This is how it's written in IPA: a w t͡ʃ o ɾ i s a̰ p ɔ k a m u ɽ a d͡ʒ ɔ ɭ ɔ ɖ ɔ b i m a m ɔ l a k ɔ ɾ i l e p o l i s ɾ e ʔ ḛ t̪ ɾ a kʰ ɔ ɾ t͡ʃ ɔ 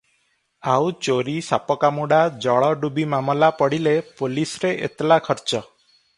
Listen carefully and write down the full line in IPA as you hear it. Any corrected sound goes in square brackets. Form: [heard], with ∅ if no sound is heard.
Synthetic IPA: a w t͡ʃ o ɾ i s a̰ p ɔ k a m u ɽ a d͡ʒ ɔ ɭ ɔ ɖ [u] b i m a m ɔ l a [p] ɔ [ɽ] i l e p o l i s ɾ e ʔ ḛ t̪ [l] a kʰ ɔ ɾ t͡ʃ ɔ